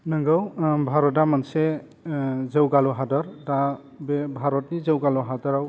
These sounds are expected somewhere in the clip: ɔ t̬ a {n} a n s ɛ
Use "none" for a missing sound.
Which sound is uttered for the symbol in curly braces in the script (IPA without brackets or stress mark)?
m